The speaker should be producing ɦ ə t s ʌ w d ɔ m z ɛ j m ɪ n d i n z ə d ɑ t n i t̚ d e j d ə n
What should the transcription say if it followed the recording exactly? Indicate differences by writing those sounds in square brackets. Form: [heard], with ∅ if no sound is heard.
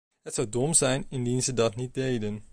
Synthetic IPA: ɦ ə t s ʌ w d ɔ m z ɛ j [n] ɪ n d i n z ə d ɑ t n i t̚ d e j d ə n